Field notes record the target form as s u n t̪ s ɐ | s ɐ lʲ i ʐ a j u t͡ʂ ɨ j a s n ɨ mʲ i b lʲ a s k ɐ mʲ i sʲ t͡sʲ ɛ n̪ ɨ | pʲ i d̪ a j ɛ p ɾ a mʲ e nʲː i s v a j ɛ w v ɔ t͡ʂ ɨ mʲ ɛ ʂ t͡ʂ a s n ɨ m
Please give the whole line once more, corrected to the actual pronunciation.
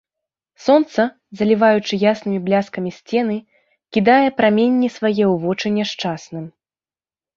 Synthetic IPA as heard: s ɔ n t̪ s ɐ | z ɐ lʲ i v a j u t͡ʂ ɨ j a s n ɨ mʲ i b lʲ a s k ɐ mʲ i sʲ t͡sʲ ɛ n̪ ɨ | kʲ i d̪ a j ɛ p ɾ a mʲ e nʲː i s v a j ɛ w v ɔ t͡ʂ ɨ nʲ ɛ ʂ t͡ʂ a s n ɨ m